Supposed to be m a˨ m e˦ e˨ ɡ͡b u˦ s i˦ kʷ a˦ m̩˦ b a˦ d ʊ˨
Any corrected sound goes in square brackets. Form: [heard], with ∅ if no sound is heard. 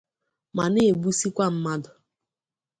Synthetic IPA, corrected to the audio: m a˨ [n] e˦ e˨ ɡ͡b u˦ s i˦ kʷ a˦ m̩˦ [m] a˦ d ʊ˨